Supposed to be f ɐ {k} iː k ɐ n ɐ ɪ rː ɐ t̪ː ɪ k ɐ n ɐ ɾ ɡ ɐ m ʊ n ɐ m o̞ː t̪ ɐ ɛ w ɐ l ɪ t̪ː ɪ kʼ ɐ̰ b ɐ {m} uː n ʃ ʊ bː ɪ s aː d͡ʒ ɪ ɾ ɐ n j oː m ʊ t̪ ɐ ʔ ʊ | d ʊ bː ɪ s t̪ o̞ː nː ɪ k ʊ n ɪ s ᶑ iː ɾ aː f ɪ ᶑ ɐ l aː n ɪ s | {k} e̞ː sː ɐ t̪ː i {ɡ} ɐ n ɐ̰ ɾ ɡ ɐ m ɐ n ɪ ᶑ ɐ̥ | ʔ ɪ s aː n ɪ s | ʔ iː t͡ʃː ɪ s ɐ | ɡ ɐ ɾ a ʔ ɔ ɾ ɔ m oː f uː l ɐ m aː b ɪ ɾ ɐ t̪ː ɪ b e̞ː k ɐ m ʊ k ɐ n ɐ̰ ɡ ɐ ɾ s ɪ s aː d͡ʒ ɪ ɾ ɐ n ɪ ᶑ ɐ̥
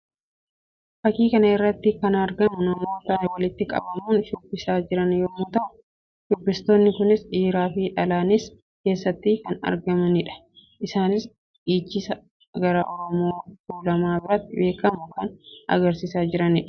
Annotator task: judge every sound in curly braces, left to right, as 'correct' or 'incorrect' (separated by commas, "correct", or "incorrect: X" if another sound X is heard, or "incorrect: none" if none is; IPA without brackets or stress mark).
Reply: correct, correct, correct, incorrect: k